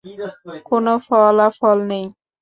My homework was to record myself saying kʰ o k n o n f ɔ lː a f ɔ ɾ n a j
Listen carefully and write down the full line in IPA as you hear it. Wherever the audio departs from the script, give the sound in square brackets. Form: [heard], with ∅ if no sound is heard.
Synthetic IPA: [k] o [∅] n o [∅] f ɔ [l] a f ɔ [l] n [e] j